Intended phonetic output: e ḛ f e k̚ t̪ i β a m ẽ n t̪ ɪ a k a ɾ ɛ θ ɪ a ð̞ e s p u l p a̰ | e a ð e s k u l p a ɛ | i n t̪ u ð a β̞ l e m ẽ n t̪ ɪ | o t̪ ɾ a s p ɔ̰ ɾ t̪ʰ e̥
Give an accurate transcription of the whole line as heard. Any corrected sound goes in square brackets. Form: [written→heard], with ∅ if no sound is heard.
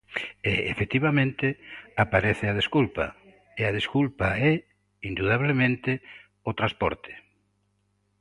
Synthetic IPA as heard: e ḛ f e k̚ t̪ i β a m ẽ n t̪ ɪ a [k→p] a ɾ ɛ θ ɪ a ð̞ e s [p→k] u l p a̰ | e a ð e s k u l p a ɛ | i n [t̪→d̪] u ð a β̞ l e m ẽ n t̪ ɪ | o t̪ ɾ a s p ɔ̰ ɾ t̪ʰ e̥